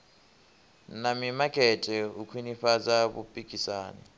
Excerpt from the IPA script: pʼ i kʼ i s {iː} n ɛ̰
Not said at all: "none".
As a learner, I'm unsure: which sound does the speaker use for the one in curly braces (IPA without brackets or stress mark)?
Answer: aː